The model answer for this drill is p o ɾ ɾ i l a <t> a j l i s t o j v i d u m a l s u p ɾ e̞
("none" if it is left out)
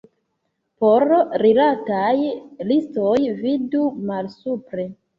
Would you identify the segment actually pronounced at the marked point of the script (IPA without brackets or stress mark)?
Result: t